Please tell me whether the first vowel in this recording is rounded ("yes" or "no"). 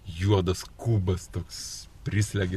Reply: yes